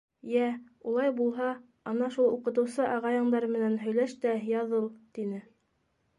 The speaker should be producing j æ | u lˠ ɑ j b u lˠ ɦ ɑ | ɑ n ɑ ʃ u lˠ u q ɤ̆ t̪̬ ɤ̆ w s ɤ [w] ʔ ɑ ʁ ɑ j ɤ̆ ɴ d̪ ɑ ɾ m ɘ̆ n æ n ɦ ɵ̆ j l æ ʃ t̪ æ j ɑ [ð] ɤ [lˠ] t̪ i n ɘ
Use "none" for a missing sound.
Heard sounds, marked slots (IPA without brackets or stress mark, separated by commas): none, ð, lˠ